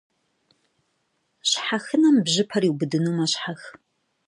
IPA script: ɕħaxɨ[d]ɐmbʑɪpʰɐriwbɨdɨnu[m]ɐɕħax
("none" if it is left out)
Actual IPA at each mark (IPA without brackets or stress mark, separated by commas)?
n, m